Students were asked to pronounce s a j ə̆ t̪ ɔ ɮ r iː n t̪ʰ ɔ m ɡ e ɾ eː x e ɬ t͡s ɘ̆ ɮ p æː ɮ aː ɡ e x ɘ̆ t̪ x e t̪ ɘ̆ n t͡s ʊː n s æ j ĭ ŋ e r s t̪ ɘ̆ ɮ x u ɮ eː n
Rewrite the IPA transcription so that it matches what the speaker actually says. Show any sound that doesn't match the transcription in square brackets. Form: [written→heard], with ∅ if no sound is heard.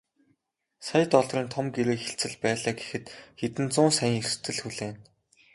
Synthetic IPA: s a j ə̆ t̪ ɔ ɮ r iː n t̪ʰ ɔ m ɡ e ɾ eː x e ɬ t͡s ɘ̆ ɮ p æː ɮ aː ɡ e x ɘ̆ t̪ x e t̪ ɘ̆ n t͡s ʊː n s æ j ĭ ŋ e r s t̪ ɘ̆ ɮ x u ɮ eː n